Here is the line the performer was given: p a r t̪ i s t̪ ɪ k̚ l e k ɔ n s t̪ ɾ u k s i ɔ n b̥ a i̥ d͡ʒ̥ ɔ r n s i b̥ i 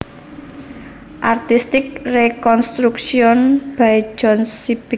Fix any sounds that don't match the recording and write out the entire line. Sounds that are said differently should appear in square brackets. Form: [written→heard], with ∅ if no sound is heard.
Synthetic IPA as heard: [p→ʔ] a r t̪ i s t̪ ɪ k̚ [l→r] e k ɔ n s t̪ ɾ u k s i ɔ n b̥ a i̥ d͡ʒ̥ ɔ [r→∅] n s i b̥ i